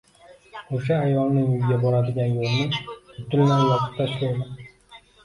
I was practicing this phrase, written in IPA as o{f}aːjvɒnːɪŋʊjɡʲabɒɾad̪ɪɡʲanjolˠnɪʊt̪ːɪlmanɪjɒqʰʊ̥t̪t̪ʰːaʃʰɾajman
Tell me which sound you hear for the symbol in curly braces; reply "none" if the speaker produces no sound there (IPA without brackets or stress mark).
ʃ